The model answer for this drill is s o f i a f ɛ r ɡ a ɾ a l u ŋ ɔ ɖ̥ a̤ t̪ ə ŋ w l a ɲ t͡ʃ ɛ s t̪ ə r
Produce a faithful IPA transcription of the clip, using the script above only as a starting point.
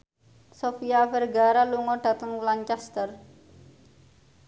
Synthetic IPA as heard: s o f i a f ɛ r ɡ a ɾ a l u ŋ ɔ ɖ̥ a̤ t̪ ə ŋ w l a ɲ t͡ʃ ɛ s t̪ ə r